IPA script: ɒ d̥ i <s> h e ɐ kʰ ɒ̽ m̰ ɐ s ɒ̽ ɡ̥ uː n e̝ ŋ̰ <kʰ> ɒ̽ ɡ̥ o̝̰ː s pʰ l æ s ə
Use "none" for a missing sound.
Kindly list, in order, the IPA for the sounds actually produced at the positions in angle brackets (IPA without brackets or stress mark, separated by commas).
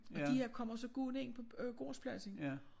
none, pʰ